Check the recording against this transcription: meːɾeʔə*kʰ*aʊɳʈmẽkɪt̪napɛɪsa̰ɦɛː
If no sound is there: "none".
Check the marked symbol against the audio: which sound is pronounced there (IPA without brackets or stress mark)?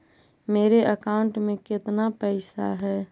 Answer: k